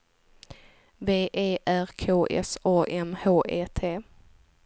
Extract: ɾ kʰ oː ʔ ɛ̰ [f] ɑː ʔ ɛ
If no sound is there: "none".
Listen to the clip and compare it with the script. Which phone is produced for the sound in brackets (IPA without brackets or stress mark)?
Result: s